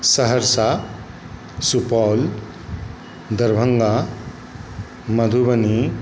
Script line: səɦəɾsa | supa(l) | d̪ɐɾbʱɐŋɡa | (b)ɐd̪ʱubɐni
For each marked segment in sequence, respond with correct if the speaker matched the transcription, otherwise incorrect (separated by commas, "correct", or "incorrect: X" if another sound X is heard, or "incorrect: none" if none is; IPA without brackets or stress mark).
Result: correct, incorrect: m